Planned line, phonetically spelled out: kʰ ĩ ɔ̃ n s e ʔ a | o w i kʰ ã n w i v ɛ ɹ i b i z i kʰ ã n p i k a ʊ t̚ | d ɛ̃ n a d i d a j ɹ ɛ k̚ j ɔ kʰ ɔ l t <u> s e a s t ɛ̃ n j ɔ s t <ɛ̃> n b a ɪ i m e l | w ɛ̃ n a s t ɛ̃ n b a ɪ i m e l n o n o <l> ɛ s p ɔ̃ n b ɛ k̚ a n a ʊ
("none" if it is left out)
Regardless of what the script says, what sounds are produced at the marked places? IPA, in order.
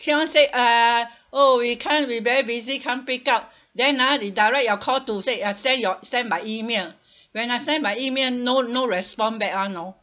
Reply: u, ɛ̃, ɹ

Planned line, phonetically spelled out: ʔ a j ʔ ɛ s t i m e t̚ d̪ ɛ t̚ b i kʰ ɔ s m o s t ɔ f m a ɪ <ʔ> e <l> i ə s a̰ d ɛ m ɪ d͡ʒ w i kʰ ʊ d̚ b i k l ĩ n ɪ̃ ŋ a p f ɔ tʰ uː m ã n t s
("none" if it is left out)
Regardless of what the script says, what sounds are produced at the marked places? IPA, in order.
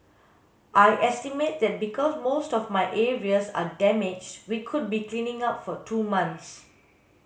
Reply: ʔ, ɹ

